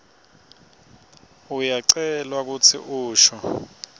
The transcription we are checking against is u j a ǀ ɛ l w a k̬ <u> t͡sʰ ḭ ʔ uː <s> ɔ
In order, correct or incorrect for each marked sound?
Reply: correct, incorrect: ʃ

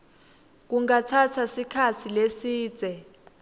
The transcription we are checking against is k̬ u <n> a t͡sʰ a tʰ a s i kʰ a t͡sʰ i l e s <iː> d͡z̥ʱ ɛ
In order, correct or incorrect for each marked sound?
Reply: incorrect: ŋ, correct

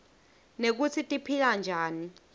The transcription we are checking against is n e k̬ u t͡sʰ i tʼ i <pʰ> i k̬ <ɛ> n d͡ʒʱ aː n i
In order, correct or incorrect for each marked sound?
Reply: correct, incorrect: a

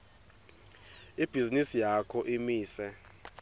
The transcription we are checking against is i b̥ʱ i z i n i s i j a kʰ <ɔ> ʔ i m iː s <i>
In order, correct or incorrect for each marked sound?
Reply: correct, incorrect: ɛ

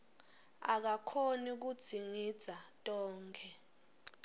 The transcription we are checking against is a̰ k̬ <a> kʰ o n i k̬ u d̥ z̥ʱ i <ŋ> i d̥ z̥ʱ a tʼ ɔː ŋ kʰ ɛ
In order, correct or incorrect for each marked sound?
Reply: correct, correct

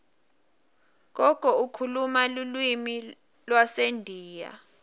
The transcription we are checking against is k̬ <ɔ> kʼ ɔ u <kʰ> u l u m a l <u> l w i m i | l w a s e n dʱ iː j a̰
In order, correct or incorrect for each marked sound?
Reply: correct, correct, correct

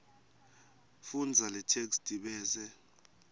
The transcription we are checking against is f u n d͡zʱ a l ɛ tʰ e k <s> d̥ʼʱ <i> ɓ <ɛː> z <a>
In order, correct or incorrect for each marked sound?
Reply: correct, correct, correct, incorrect: ɛ

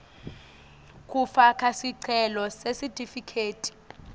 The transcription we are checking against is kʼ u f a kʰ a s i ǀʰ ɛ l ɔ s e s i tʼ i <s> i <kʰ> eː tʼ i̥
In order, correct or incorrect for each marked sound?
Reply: incorrect: f, correct

